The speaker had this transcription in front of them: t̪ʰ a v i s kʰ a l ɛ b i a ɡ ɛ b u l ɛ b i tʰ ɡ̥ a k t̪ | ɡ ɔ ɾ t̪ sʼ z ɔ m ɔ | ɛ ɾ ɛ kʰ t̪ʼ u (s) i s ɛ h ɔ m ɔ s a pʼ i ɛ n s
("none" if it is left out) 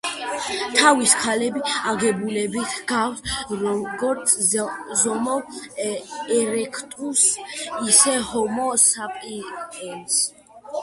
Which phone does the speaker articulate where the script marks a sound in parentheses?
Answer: s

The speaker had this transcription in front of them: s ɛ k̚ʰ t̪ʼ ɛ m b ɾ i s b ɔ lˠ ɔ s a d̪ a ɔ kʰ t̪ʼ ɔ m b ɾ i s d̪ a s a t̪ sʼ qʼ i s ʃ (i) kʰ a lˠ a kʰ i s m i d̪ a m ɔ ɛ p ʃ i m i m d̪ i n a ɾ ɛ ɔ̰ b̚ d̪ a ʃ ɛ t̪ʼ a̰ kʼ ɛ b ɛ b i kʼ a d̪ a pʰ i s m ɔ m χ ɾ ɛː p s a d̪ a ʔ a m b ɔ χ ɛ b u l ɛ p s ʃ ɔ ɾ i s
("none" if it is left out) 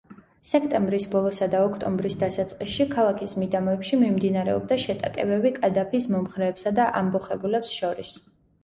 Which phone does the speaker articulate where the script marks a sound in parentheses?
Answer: i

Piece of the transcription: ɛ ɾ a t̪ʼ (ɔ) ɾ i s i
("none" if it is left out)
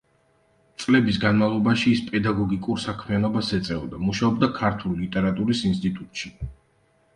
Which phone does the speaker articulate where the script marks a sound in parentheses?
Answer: u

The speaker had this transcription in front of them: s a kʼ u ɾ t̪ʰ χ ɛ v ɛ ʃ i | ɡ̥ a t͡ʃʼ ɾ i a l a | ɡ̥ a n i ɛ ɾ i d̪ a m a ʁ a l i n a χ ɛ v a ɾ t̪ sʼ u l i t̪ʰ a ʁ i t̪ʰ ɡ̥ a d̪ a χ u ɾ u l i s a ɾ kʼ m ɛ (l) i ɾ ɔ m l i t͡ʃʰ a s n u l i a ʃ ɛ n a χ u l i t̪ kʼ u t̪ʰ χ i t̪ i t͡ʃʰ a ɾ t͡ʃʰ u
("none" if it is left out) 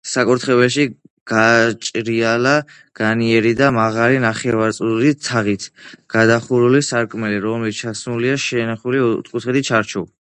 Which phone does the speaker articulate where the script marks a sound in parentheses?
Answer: l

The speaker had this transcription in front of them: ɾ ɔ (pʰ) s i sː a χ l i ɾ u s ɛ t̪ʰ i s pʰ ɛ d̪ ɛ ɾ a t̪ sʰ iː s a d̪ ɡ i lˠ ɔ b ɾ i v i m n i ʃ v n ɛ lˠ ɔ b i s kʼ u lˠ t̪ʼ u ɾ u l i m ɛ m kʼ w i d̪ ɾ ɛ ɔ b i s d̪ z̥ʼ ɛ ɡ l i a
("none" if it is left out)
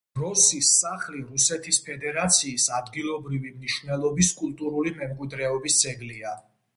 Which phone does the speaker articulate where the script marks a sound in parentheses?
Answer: none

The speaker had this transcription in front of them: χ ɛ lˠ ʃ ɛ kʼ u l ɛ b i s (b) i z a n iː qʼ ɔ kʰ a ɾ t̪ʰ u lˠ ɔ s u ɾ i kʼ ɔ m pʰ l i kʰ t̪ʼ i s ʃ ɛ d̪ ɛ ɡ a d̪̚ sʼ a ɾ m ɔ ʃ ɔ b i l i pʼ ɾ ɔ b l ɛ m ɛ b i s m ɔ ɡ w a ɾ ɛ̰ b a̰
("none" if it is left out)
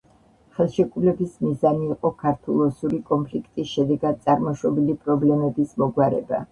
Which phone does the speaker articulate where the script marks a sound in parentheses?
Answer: m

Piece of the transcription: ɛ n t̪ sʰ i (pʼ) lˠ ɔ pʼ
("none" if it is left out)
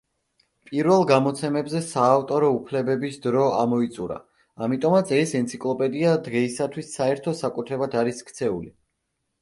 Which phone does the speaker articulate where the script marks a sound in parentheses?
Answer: kʼ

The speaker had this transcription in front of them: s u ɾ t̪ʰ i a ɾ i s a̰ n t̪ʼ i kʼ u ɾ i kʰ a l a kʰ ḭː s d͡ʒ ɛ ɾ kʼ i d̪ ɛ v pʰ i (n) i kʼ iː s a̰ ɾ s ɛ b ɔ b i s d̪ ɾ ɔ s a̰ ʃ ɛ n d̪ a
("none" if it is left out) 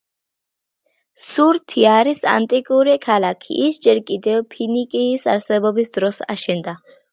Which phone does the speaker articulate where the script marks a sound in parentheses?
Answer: n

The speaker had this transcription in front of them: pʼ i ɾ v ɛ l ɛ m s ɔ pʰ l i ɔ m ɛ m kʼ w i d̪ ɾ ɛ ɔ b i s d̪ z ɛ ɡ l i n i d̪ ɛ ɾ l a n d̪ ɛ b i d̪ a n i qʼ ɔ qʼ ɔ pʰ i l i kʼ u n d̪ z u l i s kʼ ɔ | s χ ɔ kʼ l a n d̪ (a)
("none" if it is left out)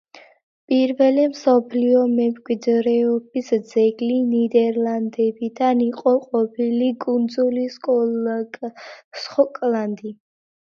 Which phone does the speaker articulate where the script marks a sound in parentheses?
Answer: i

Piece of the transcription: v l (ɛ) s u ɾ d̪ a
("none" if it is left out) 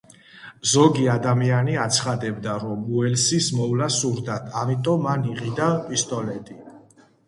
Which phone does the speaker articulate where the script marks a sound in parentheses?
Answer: a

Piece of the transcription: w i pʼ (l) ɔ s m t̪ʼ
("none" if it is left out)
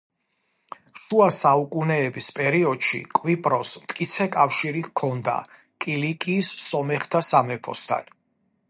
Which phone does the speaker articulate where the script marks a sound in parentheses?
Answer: ɾ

